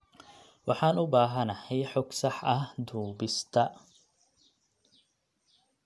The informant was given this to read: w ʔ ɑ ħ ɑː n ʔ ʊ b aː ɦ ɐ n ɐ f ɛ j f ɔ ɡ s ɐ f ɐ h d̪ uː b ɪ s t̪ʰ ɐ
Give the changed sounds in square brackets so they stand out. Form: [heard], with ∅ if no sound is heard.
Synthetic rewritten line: w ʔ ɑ ħ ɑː n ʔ ʊ b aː ɦ ɐ n ɐ [h] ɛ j [ħ] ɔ ɡ s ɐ [ħ] ɐ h d̪ uː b ɪ s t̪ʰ ɐ